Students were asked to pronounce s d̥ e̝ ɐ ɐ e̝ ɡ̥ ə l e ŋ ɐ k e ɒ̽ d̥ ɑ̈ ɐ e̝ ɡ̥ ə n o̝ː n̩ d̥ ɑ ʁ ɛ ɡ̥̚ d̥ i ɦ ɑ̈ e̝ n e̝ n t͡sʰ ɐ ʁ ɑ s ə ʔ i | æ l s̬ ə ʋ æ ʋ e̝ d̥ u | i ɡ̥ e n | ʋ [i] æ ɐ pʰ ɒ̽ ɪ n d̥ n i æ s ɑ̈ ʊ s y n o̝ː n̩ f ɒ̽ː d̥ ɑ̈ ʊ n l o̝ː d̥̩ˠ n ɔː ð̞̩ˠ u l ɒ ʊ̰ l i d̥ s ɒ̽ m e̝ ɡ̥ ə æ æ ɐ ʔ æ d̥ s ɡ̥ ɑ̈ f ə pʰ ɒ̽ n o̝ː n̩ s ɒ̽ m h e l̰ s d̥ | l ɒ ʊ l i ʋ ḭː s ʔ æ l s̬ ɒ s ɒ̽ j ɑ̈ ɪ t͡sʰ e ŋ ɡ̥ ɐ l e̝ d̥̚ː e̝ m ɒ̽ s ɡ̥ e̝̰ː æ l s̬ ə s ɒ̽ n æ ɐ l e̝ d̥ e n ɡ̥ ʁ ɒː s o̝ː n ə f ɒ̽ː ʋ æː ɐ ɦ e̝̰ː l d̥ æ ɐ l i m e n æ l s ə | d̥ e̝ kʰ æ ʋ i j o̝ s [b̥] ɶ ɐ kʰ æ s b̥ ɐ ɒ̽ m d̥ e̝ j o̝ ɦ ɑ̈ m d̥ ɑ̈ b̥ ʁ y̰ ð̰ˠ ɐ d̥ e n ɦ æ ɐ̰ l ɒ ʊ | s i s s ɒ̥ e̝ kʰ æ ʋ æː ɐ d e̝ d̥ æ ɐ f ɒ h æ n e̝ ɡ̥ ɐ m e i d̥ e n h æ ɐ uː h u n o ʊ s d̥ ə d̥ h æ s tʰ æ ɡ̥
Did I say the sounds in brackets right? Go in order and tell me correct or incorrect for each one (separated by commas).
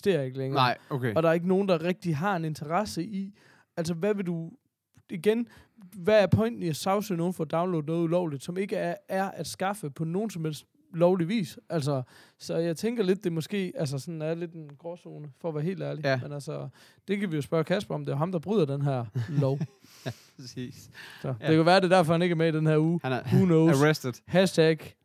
incorrect, correct